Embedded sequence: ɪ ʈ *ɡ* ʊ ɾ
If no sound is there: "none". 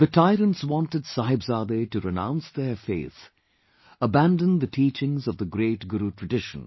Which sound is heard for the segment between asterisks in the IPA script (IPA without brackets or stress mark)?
ɡ